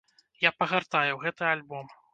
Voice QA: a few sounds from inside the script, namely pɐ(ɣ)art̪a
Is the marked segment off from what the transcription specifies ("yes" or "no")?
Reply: no